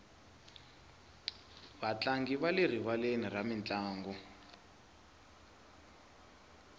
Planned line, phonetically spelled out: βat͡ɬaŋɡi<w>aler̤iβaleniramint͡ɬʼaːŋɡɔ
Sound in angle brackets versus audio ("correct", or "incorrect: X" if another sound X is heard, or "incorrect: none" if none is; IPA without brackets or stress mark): incorrect: β